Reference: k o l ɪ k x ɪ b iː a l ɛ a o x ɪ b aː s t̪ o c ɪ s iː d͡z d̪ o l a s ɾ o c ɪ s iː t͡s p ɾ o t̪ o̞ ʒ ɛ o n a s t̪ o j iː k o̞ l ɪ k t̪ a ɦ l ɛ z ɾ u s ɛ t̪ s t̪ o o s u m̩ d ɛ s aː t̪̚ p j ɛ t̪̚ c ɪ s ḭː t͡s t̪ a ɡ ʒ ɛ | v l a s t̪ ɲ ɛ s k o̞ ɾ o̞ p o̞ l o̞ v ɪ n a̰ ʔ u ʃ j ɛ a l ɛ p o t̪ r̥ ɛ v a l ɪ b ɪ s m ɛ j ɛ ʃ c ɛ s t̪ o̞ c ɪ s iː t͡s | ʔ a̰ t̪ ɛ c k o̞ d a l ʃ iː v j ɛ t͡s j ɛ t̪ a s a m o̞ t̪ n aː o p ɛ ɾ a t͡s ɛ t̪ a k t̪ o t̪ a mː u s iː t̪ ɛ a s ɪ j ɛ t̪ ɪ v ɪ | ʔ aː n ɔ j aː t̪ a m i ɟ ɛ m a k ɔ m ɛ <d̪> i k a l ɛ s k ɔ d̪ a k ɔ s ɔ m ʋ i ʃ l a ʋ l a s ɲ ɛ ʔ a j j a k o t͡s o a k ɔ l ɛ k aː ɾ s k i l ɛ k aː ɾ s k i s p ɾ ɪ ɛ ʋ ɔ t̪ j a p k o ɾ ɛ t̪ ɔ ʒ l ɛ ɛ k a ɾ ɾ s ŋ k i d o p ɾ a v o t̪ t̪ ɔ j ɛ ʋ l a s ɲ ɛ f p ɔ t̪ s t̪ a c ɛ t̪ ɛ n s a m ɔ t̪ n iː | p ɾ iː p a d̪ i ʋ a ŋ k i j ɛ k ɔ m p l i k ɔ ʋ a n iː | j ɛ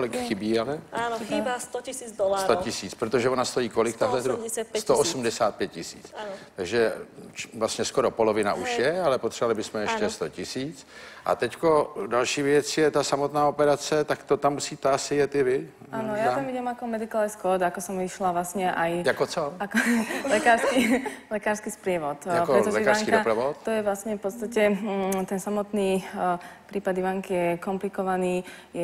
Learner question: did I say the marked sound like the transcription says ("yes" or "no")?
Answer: yes